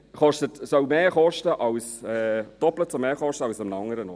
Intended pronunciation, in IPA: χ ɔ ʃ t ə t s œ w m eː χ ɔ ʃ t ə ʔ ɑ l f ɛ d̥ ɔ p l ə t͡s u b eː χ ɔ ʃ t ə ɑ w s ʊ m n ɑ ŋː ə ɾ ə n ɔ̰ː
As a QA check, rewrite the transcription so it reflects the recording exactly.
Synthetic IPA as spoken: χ ɔ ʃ t ə t s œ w m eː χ ɔ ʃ t ə ʔ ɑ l s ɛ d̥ ɔ p l ə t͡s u m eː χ ɔ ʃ t ə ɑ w s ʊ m n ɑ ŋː ə ɾ ə n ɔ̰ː

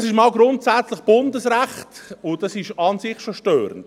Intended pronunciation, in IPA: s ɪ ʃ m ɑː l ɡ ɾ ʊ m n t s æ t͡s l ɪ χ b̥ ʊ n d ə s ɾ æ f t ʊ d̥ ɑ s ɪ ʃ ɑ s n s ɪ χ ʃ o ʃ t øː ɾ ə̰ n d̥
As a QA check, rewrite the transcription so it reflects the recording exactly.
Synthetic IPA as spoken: s ɪ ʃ m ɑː l ɡ ɾ ʊ n t s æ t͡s l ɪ χ b̥ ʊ n d ə s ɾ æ χ t ʊ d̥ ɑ s ɪ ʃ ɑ n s ɪ χ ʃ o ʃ t øː ɾ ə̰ n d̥

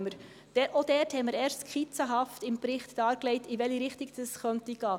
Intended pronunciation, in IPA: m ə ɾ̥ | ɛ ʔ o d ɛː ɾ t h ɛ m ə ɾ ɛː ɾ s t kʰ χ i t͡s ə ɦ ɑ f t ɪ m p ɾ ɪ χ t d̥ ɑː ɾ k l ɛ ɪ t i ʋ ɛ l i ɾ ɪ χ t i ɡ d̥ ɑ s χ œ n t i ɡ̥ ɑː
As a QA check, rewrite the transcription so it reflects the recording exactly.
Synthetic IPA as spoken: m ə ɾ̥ | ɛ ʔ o d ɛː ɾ t h ɛ m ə ɾ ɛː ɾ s t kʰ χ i t͡s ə ɦ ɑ f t ɪ m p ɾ ɪ χ t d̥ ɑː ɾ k l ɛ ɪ t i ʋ ɛ l i ɾ ɪ χ t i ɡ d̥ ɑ s χ œ n t i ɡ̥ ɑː

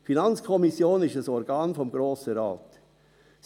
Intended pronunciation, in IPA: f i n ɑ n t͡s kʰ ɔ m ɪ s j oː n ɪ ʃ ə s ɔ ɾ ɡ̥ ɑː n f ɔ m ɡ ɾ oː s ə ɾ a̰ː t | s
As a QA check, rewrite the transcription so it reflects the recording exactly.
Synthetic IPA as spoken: f i n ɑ n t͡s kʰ ɔ m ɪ s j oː n ɪ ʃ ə s ɔ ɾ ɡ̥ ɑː n f ɔ m ɡ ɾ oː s ə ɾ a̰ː t | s

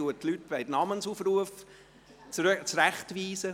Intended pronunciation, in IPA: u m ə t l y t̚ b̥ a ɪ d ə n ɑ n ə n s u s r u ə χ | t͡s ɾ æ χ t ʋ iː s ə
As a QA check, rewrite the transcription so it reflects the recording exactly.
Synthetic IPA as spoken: u ə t l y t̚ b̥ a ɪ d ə n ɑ m ə n s u f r u ə f | t͡s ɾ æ χ t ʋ iː s ə

